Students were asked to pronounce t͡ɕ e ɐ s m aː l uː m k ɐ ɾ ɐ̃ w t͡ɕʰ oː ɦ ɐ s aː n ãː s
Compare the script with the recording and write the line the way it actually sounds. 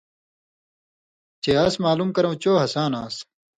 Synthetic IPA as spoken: t͡ɕ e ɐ s m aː l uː m k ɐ ɾ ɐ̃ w t͡ɕ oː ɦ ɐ s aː n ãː s